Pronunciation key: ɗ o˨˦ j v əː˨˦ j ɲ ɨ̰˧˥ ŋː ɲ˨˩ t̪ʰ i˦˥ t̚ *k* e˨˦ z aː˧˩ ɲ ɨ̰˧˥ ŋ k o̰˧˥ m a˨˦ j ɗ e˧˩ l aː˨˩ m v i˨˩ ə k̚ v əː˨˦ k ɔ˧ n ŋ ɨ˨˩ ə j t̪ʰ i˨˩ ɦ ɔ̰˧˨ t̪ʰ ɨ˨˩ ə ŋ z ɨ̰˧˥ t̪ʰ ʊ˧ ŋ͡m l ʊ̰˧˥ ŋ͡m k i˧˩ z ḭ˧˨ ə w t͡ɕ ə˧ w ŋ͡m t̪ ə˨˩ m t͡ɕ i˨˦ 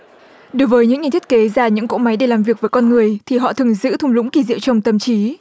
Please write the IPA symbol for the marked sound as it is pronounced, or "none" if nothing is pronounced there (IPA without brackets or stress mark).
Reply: k